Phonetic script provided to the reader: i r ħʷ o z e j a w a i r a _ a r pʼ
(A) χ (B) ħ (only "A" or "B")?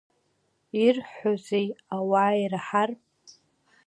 B